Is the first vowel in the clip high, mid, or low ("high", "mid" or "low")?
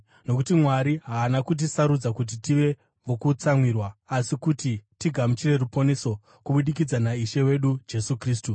mid